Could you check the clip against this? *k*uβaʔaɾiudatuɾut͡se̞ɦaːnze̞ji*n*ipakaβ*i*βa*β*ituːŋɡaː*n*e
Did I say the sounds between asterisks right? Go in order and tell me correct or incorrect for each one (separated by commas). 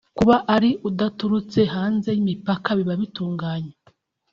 correct, incorrect, correct, correct, incorrect